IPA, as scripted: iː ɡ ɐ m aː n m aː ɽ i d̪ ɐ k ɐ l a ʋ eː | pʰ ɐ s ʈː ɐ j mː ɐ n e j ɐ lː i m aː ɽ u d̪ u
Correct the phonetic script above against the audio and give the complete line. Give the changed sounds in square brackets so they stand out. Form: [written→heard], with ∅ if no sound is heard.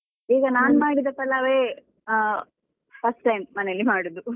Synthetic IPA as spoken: iː ɡ ɐ [m→n] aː n m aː ɽ i d̪ ɐ [k→p] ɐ l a ʋ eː | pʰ ɐ s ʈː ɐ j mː ɐ n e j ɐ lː i m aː ɽ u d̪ u